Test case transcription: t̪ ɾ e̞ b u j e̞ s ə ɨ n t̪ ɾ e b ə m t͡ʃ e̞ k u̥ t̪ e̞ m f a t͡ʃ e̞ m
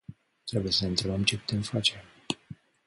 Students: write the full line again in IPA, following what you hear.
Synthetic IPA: t̪ ɾ e̞ b u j e̞ s ə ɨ n t̪ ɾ e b ə m t͡ʃ e̞ p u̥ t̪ e̞ m f a t͡ʃ e̞ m